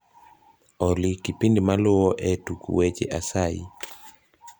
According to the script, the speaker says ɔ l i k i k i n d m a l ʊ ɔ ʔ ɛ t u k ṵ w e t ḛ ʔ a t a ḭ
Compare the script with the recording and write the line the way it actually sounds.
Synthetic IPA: ɔ l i k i p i n d m a l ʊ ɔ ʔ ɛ t u k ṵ w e t͡ʃ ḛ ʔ a s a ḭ